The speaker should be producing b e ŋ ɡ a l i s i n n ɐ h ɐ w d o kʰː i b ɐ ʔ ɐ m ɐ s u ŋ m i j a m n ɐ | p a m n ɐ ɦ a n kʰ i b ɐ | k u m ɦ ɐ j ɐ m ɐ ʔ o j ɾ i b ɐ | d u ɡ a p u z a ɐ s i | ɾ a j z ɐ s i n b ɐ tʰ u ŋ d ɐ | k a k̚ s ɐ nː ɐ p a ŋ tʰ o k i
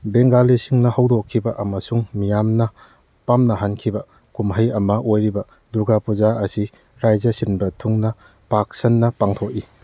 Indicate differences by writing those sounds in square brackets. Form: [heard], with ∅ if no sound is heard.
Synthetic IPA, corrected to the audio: b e ŋ ɡ a l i s i [ŋ] n ɐ h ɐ w d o kʰː i b ɐ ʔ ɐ m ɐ s u ŋ m i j a m n ɐ | p a m n ɐ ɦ a n kʰ i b ɐ | k u m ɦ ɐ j ɐ m ɐ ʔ o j ɾ i b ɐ | d u ɡ a p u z a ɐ s i | ɾ a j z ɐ s i n b ɐ tʰ u ŋ [n] ɐ | [p] a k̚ s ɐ nː ɐ p a ŋ tʰ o k i

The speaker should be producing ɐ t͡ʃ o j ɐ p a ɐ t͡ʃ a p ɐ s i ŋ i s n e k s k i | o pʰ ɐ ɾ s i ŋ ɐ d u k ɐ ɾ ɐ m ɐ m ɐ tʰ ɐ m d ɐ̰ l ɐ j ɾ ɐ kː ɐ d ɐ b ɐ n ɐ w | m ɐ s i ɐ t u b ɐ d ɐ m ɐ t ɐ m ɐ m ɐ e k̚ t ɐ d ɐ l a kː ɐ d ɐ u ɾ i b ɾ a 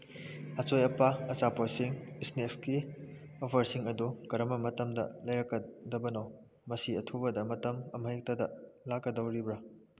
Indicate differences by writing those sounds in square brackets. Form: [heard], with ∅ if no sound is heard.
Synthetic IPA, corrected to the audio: ɐ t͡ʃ o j ɐ p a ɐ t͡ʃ a p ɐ s i ŋ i s n e k s k i | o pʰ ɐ ɾ s i ŋ ɐ d u k ɐ ɾ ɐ m ɐ m ɐ [t] ɐ m d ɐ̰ l ɐ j ɾ ɐ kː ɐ d ɐ b ɐ n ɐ w | m ɐ s i ɐ [tʰ] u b ɐ d ɐ m ɐ t ɐ m ɐ m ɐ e k̚ t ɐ d ɐ l a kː ɐ d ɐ [w] ɾ i b ɾ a

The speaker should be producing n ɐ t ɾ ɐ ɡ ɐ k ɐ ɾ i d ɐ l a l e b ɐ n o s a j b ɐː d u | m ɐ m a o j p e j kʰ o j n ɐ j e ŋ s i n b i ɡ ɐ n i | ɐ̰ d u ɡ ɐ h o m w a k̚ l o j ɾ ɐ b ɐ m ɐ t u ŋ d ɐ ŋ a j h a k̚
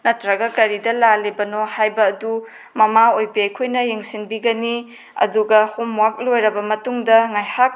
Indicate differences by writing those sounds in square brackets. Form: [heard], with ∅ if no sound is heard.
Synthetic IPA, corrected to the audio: n ɐ t ɾ ɐ ɡ ɐ k ɐ ɾ i d ɐ l a l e b ɐ n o [h] a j b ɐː d u | m ɐ m a o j p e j kʰ o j n ɐ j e ŋ s i n b i ɡ ɐ n i | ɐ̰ d u ɡ ɐ h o m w a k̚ l o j ɾ ɐ b ɐ m ɐ t u ŋ d ɐ ŋ a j h a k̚

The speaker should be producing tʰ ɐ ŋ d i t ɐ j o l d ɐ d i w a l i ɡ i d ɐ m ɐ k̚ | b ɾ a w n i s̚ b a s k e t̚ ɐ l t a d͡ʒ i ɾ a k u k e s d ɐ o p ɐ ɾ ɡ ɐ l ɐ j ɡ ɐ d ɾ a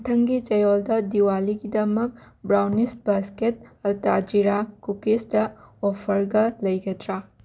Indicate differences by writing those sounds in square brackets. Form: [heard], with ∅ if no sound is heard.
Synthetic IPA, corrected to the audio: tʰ ɐ ŋ [ɡ] i [t͡ʃ] ɐ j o l d ɐ d i w a l i ɡ i d ɐ m ɐ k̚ | b ɾ a w n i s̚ b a s k e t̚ ɐ l t a d͡ʒ i ɾ a k u k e s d ɐ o [pʰ] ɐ ɾ ɡ ɐ l ɐ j ɡ ɐ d ɾ a

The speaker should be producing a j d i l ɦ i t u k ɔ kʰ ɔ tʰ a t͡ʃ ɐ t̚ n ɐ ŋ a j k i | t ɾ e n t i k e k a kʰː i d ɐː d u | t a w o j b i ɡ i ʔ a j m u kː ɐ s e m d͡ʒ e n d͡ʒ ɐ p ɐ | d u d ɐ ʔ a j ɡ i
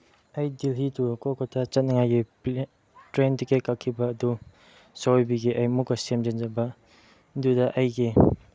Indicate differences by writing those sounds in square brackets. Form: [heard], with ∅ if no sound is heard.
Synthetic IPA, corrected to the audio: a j d i l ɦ i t u k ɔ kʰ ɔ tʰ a t͡ʃ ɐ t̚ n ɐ ŋ a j [ɡ] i | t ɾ e n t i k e k a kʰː i [b] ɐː d u | [s] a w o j b i ɡ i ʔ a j m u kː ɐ s e m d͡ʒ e n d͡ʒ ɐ [b] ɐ | d u d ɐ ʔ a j ɡ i

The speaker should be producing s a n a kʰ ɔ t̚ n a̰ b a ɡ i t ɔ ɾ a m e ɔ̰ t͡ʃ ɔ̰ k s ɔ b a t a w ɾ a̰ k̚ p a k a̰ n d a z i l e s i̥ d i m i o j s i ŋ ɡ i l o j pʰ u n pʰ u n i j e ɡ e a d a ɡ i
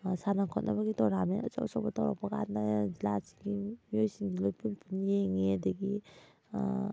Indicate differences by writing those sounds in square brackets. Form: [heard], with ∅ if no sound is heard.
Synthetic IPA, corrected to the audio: s a n a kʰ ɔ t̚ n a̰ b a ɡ i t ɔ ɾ a m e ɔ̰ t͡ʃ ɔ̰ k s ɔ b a t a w ɾ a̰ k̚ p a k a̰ n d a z i l [a] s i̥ [ɡ] i m i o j s i ŋ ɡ i l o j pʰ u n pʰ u n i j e [ŋ] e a d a ɡ i

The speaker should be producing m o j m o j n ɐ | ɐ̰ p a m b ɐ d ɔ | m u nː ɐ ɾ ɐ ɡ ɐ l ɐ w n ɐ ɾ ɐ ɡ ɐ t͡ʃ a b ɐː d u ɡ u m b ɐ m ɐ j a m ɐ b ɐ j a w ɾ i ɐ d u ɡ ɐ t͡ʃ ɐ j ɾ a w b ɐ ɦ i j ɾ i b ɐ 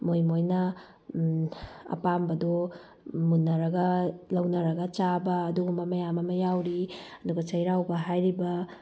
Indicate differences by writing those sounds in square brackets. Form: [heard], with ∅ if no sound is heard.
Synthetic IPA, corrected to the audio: m o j m o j n ɐ | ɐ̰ p a m b ɐ d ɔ | m u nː ɐ ɾ ɐ ɡ ɐ l ɐ w n ɐ ɾ ɐ ɡ ɐ t͡ʃ a b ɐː d u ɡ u m b ɐ m ɐ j a m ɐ [m] ɐ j a w ɾ i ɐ d u ɡ ɐ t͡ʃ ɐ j ɾ a w b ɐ ɦ [a] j ɾ i b ɐ

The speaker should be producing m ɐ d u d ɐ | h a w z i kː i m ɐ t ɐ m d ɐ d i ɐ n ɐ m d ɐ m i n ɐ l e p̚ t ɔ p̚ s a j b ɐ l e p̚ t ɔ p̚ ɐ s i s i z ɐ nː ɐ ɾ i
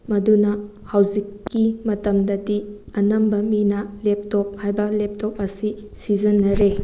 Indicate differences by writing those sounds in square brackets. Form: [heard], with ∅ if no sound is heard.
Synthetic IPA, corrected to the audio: m ɐ d u [n] ɐ | h a w z i kː i m ɐ t ɐ m d ɐ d i ɐ n ɐ m [b] ɐ m i n ɐ l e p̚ t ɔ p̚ [h] a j b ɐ l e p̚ t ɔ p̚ ɐ s i s i z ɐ nː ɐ ɾ [e]

